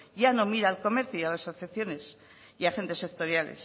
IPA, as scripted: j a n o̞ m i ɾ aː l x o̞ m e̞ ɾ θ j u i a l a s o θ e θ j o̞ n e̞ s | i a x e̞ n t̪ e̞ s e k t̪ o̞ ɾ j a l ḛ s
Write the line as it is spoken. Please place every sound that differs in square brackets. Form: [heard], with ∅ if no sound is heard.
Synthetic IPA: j a n o̞ m i ɾ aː l [k] o̞ m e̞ ɾ θ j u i a l a s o θ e θ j o̞ n e̞ s | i a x e̞ n t̪ e̞ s e k t̪ o̞ ɾ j a l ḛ s